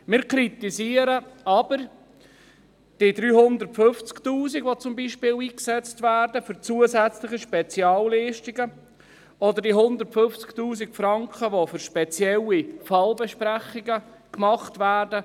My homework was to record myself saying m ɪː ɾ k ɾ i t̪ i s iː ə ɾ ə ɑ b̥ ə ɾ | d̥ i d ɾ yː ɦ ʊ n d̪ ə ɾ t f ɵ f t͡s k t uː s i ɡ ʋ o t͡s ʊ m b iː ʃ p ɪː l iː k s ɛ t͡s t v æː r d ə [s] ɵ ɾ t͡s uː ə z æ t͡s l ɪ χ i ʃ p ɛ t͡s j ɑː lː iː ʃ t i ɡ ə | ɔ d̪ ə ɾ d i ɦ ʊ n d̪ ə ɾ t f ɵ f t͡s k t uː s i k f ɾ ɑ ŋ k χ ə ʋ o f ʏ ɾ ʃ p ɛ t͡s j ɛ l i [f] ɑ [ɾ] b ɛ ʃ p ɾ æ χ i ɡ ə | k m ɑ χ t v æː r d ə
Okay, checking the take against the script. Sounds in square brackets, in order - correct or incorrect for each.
incorrect, correct, incorrect

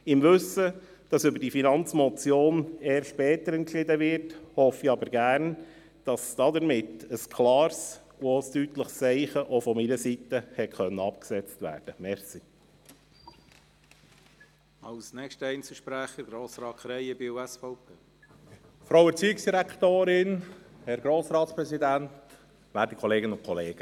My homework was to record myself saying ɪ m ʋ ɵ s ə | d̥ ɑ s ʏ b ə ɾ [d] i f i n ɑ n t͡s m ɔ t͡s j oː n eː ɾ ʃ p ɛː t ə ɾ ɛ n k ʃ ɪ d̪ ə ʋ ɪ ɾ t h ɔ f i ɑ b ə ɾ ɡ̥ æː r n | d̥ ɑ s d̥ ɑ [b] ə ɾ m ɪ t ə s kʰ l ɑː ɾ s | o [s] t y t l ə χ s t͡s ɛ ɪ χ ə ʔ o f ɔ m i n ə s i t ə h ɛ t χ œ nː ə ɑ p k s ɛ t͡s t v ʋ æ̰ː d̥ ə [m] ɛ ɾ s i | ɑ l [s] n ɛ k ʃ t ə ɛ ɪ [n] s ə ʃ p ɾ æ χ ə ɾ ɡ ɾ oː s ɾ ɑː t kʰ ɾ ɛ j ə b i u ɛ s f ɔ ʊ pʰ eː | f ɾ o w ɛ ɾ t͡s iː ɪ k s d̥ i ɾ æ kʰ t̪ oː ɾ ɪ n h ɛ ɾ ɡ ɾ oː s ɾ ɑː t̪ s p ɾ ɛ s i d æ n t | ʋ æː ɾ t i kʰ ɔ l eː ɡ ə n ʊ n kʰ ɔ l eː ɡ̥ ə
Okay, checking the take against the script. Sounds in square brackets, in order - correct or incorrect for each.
correct, incorrect, correct, correct, correct, correct

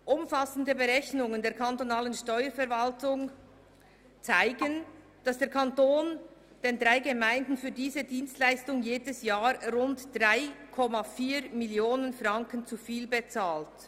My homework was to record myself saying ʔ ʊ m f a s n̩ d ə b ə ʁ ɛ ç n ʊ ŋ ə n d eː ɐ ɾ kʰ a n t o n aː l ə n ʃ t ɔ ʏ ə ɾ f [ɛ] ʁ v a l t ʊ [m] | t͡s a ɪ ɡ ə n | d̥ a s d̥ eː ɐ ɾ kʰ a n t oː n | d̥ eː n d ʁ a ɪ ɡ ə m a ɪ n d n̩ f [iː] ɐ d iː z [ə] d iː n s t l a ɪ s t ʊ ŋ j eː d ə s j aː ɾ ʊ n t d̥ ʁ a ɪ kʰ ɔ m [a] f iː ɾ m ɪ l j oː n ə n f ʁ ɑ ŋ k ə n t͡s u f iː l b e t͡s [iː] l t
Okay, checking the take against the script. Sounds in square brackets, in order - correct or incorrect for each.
correct, incorrect, incorrect, correct, correct, incorrect

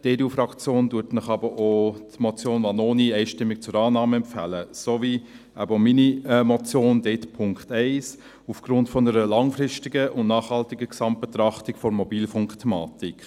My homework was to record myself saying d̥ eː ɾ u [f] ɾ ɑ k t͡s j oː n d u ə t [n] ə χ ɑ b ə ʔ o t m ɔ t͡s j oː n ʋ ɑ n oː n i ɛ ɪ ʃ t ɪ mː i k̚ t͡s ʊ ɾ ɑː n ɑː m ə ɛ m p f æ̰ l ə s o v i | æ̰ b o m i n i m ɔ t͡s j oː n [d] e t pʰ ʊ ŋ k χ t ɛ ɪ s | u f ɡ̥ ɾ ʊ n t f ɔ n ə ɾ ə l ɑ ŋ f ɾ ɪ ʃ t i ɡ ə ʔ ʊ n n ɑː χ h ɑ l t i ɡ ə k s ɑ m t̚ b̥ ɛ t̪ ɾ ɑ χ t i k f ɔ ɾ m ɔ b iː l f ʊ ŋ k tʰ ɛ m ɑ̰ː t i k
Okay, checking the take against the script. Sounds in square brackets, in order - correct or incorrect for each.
correct, correct, correct

